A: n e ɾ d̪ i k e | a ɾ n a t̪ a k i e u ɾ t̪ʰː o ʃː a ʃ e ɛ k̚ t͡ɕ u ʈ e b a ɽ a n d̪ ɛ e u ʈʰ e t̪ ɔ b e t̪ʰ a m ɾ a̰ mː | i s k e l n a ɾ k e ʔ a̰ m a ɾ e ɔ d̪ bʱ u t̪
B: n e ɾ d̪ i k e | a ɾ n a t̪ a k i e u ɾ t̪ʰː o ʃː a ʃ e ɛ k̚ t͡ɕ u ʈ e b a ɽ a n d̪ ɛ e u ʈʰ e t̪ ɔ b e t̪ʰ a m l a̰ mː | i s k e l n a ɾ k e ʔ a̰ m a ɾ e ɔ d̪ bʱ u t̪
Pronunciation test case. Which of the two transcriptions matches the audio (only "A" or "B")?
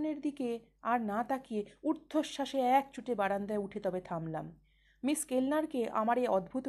B